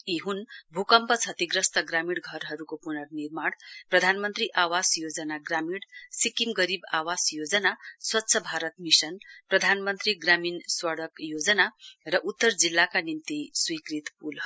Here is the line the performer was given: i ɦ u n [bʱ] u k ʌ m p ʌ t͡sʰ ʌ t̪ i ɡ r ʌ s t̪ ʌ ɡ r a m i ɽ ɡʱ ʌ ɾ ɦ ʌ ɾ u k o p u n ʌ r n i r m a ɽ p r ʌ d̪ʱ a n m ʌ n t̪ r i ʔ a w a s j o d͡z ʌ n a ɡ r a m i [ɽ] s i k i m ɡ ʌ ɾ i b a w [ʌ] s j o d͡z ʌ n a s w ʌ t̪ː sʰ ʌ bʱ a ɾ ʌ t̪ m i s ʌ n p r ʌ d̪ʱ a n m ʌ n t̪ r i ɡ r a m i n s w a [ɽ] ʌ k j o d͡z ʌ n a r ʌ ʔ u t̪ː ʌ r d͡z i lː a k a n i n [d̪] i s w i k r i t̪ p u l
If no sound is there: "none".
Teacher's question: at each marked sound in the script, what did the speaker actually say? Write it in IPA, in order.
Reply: bʱ, ɽ, a, ɽ, t̪

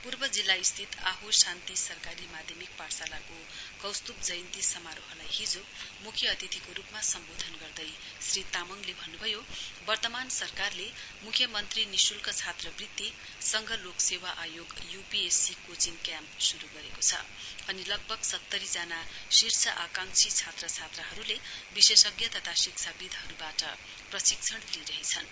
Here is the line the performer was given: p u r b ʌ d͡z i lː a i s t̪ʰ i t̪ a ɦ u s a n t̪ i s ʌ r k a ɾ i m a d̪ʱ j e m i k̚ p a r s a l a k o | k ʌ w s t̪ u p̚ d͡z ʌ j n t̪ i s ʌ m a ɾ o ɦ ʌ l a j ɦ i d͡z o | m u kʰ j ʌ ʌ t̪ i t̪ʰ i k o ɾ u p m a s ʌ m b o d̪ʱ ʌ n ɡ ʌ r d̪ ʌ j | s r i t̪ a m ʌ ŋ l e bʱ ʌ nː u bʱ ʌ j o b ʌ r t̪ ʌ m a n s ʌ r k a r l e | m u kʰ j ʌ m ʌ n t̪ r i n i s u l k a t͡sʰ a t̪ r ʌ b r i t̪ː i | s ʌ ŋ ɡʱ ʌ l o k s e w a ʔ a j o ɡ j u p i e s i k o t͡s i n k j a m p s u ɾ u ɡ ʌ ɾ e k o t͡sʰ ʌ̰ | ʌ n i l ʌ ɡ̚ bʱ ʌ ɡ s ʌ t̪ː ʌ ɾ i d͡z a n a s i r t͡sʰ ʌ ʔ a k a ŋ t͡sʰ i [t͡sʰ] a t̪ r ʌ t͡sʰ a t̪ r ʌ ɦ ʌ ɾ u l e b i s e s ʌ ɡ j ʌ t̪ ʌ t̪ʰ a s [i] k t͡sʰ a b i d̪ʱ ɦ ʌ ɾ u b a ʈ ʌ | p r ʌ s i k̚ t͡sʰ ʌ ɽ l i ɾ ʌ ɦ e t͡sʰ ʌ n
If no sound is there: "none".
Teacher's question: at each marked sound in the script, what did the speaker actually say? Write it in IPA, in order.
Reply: t͡sʰ, i

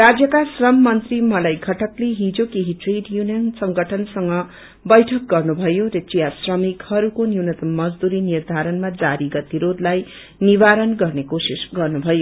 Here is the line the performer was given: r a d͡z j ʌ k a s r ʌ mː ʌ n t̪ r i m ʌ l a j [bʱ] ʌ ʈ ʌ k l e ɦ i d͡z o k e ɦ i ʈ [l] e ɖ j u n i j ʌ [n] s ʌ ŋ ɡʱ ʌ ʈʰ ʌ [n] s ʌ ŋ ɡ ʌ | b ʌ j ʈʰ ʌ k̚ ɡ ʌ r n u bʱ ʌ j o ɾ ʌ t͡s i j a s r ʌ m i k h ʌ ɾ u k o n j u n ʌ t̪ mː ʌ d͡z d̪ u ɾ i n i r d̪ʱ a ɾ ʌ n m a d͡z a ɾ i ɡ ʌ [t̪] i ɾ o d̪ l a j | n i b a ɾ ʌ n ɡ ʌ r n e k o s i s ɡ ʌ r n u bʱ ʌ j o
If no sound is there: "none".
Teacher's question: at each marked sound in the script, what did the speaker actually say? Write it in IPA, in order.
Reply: ɡʱ, r, n, n, t̪

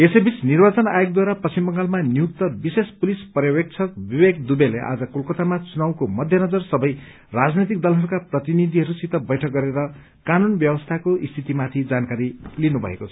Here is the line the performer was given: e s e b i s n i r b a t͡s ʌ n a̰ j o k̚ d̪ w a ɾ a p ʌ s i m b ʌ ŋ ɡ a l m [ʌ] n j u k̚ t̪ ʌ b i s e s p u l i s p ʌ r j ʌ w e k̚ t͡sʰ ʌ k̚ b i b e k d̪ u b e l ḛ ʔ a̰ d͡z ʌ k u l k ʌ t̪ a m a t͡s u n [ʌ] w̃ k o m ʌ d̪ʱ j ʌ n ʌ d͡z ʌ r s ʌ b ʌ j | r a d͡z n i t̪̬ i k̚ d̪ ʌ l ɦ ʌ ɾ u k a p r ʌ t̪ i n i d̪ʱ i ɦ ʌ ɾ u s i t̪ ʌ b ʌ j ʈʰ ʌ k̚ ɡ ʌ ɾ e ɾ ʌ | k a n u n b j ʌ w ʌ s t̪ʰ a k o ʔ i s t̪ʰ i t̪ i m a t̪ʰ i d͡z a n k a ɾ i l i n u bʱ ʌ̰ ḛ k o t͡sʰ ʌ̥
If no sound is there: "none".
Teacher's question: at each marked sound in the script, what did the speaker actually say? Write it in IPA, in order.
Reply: a, a

